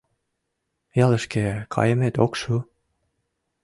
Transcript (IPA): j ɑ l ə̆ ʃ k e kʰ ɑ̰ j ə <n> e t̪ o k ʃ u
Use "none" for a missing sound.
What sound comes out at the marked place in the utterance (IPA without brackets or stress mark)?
m